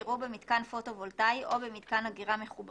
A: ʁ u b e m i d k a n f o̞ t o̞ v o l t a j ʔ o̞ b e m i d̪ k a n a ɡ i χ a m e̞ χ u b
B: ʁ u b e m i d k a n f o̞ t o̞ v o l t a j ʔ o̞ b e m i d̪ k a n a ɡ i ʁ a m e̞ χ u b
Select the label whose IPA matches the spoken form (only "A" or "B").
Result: B